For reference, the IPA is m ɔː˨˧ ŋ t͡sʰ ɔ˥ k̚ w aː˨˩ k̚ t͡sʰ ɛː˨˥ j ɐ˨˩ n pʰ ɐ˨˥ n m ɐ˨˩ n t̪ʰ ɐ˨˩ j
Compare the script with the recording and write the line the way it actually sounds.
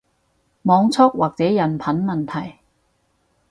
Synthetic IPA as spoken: m ɔː˨˧ ŋ t͡sʰ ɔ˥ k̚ w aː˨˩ k̚ t͡s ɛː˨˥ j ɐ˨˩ n pʰ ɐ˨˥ n m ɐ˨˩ n t̪ʰ ɐ˨˩ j